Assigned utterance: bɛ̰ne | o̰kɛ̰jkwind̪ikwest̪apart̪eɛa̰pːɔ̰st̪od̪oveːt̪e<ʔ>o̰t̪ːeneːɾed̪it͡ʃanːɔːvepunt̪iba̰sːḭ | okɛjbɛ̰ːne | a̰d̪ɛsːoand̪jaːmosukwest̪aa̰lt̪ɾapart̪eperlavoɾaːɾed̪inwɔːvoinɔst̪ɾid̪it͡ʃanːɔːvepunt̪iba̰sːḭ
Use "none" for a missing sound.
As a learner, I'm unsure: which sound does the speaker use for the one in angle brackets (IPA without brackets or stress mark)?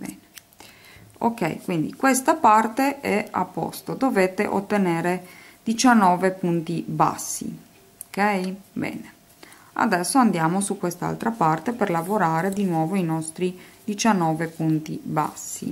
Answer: ʔ